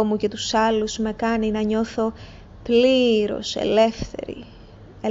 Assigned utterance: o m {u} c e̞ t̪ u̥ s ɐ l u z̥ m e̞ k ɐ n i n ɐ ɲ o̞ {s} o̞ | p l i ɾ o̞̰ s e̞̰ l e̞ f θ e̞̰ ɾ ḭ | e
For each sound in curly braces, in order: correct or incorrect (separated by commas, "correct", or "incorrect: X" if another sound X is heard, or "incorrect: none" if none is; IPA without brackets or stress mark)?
correct, incorrect: θ